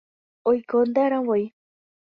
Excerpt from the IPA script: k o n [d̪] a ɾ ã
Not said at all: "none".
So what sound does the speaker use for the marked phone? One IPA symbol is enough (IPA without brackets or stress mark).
d̪